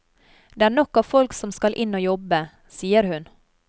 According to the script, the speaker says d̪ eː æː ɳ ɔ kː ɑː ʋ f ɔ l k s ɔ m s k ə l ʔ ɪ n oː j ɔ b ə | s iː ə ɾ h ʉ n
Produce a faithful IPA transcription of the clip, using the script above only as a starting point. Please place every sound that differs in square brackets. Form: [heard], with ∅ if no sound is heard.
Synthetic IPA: d̪ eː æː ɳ ɔ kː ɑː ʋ f ɔ l k s ɔ m s k [ɑ] l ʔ ɪ n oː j ɔ b ə | s iː ə ɾ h ʉ n